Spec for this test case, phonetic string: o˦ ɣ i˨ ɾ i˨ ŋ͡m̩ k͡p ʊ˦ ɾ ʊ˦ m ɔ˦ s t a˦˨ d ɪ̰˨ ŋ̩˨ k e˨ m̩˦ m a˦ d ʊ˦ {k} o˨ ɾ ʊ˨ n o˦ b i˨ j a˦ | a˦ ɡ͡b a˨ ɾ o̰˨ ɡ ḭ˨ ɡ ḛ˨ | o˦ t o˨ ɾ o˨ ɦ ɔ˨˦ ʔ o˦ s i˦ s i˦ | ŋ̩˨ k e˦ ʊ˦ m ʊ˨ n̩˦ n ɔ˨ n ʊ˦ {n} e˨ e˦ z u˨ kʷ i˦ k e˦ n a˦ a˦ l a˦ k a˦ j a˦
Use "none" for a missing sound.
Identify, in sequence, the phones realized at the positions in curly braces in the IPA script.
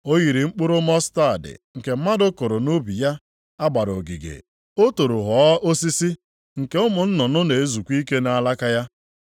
k, n

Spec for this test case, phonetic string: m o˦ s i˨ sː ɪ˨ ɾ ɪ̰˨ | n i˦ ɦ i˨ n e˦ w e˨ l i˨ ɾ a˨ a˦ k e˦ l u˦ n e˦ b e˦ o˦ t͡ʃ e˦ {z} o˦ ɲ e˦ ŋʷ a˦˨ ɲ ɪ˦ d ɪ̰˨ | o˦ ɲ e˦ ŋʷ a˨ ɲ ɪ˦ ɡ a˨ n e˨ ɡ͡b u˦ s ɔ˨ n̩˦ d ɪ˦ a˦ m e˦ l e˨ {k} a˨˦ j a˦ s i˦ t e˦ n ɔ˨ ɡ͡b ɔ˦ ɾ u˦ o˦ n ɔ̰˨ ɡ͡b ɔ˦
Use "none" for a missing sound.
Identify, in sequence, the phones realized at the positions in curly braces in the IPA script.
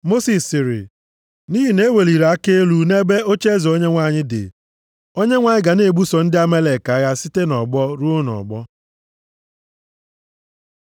z, k

